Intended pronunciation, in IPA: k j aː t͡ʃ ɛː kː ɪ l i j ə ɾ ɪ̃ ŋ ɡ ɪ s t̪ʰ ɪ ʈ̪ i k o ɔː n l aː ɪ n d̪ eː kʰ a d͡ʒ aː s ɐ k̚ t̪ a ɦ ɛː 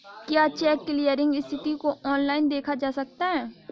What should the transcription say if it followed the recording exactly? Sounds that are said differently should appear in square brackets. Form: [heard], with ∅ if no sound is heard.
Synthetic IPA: k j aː t͡ʃ ɛː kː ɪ l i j ə ɾ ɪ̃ ŋ ɡ ɪ s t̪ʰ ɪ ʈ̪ i k o ɔː n l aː ɪ n d̪ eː kʰ a d͡ʒ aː s ɐ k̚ t̪ a ɦ ɛː

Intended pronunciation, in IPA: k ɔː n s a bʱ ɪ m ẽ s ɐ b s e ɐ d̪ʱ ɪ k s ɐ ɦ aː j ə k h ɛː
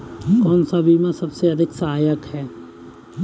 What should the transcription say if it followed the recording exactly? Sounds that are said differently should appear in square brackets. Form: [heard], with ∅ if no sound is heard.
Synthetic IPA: k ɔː n s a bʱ [i] m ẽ s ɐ b s e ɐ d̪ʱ ɪ k s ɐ ɦ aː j ə k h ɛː

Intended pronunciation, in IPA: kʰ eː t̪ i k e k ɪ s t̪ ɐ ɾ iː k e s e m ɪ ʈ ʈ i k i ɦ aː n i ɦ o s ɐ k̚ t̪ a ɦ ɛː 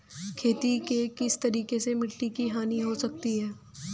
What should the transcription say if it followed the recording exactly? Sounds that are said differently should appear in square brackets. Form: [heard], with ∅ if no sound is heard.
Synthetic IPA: kʰ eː t̪ i k e k ɪ s t̪ ɐ ɾ iː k e s e m ɪ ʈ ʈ i k i ɦ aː n i ɦ o s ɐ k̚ t̪ [i] ɦ ɛː

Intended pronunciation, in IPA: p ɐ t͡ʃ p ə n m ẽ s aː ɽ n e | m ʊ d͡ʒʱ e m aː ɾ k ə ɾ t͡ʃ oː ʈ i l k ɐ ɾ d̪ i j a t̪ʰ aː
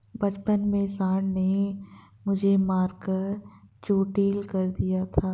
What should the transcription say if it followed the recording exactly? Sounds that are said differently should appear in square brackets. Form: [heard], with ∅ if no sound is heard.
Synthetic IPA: [b] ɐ t͡ʃ p ə n m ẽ s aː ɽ n e | m ʊ d͡ʒʱ e m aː ɾ k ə ɾ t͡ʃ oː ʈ [iː] l k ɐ ɾ d̪ i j a t̪ʰ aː

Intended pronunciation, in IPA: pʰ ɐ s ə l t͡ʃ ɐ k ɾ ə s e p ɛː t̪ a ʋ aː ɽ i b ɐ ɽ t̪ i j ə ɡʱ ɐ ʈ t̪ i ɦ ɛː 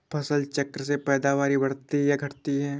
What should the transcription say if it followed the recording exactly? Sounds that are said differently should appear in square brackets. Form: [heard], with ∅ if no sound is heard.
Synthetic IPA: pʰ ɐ s ə l t͡ʃ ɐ k ɾ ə s e p ɛː [d̪] a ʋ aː [ɾ] i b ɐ ɽ t̪ i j [a] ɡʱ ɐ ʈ t̪ i ɦ ɛː

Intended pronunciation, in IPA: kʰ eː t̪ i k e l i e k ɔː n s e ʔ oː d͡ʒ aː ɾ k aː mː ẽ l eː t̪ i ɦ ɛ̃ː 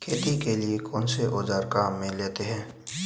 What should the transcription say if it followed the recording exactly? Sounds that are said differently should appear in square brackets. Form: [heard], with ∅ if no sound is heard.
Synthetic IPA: kʰ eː t̪ i k e l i e k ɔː n s e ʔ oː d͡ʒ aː ɾ k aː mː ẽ l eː t̪ [e] ɦ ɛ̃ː

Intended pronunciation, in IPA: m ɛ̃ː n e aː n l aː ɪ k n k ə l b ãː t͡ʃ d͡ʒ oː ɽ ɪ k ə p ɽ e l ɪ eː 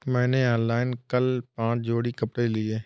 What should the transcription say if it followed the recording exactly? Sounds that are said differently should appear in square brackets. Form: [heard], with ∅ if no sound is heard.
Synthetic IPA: m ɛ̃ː n e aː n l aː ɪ [∅] n k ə l [p] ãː t͡ʃ d͡ʒ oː ɽ [i] k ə p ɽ e l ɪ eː

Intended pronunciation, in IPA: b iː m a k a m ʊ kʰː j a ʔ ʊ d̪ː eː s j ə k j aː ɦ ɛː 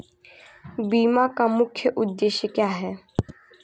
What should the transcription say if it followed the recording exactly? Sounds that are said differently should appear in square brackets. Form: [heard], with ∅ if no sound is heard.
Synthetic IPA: b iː m a k a m ʊ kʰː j [ə] ʔ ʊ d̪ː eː [ʃ] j ə k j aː ɦ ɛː

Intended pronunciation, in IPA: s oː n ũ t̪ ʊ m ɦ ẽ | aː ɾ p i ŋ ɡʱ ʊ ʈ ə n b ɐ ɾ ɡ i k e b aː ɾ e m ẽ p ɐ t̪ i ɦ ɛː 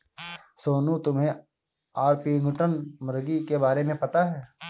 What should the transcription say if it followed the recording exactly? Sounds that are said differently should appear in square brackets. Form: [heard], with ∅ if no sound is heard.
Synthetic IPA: s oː n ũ t̪ ʊ m ɦ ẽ | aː ɾ p i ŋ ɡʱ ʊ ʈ ə n [m] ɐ ɾ ɡ i k e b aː ɾ e m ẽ p ɐ t̪ [a] ɦ ɛː

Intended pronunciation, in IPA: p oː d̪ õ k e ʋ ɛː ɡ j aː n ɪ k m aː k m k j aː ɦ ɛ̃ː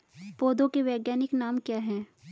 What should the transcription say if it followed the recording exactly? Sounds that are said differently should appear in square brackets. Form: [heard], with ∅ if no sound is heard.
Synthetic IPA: p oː d̪ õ k e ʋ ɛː ɡ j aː n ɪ k [n] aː [∅] m k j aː ɦ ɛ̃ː

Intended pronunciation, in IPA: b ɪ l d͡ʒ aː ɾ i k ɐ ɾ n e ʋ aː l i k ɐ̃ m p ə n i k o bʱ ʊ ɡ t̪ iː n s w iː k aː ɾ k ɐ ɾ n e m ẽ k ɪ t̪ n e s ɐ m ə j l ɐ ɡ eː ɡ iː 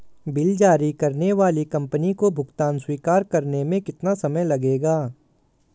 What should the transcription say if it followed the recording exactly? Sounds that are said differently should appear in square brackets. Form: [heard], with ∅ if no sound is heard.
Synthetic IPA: b ɪ l d͡ʒ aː ɾ i k ɐ ɾ n e ʋ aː l i k ɐ̃ m p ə n i k o bʱ ʊ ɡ t̪ [aː] n s w iː k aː ɾ k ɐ ɾ n e m ẽ k ɪ t̪ n [a] s ɐ m ə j l ɐ ɡ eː ɡ [aː]

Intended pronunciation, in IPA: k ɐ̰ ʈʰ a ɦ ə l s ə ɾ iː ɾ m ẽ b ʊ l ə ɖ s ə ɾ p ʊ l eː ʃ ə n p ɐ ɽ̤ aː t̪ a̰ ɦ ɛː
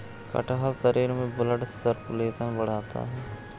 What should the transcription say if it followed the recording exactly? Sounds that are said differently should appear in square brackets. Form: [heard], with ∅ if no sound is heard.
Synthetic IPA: k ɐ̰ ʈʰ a ɦ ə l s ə ɾ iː ɾ m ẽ b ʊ l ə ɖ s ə ɾ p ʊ l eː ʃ ə n [b] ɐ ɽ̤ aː t̪ a̰ ɦ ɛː

